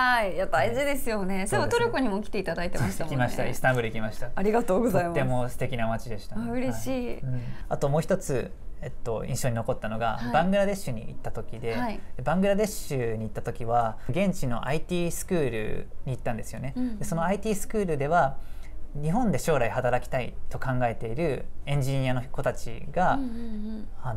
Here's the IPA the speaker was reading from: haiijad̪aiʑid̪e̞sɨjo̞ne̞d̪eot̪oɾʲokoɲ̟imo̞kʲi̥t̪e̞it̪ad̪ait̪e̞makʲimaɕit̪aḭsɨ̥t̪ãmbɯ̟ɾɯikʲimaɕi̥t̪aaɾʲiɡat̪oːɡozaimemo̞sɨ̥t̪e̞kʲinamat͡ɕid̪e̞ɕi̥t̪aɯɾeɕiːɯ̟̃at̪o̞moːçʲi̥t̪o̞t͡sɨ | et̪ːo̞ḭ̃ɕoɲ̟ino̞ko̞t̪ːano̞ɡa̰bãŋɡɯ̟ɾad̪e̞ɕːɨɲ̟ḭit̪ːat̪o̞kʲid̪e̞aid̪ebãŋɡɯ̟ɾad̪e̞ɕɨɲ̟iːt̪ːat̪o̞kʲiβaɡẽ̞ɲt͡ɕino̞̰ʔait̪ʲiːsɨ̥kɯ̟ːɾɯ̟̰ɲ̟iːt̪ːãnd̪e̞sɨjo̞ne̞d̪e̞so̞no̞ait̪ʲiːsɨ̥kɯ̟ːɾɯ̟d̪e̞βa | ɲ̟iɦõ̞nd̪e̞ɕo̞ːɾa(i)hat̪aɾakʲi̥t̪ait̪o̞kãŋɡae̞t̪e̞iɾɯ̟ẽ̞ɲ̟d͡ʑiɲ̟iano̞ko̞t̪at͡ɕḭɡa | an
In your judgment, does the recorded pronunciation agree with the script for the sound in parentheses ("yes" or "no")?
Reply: yes